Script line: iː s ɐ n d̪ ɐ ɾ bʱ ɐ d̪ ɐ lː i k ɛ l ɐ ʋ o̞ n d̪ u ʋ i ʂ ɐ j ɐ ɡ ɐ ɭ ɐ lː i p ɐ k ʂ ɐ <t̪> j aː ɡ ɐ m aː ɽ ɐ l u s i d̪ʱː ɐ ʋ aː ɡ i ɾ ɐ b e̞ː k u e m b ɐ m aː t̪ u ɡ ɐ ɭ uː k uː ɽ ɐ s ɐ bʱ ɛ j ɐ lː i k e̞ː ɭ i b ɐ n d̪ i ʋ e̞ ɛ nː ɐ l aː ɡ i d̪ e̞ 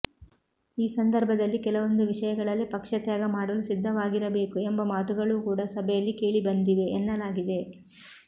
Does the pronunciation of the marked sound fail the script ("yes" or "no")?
no